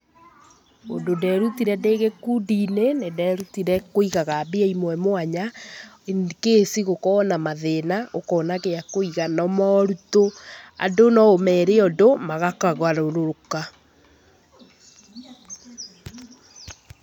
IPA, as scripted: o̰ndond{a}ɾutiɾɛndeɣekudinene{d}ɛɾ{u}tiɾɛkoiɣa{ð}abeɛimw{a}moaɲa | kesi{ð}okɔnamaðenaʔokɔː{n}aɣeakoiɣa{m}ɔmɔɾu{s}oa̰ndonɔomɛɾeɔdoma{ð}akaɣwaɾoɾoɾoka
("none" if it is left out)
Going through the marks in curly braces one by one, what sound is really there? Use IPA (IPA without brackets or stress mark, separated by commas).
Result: ɛ, d, u, ɣ, ɛ, ɣ, n, n, t, ɣ